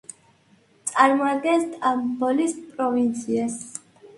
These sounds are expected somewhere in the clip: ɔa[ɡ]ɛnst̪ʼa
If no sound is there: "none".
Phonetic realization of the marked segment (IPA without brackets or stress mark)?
ɡ